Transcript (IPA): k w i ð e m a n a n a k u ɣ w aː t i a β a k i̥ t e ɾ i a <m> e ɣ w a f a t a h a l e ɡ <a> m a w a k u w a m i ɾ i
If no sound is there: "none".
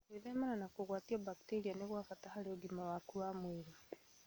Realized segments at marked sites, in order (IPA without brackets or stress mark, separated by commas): n, i